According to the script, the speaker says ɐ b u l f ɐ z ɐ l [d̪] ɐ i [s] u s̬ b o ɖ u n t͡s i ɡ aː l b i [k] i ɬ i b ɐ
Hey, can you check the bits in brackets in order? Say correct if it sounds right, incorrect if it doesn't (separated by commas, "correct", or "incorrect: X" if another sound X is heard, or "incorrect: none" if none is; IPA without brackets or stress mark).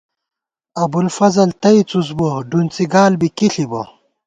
incorrect: t̪, incorrect: t͡s, correct